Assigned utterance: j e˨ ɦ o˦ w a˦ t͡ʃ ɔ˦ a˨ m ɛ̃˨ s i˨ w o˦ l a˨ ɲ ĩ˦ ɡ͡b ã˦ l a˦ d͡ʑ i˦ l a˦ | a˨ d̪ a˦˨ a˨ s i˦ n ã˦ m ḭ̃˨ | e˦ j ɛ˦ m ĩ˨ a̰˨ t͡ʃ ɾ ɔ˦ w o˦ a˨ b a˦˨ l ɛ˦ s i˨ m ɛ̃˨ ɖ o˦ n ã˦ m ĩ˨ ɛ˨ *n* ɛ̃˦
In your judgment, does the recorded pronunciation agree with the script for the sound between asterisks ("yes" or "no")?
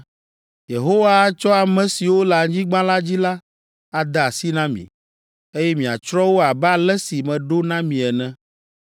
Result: yes